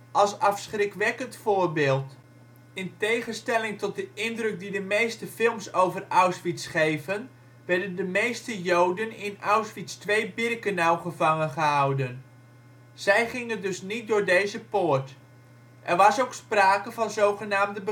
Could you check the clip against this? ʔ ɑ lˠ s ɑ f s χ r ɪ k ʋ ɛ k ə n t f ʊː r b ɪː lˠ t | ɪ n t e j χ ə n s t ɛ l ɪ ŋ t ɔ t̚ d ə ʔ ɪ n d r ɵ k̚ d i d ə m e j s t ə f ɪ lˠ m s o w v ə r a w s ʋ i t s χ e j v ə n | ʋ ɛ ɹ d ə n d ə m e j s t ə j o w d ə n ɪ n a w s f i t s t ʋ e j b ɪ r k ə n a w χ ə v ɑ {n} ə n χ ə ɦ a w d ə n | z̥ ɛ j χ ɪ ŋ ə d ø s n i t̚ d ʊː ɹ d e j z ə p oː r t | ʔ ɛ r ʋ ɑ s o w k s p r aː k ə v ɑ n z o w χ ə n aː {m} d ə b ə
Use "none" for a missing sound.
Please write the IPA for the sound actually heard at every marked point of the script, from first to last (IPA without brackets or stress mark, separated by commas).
ŋ, m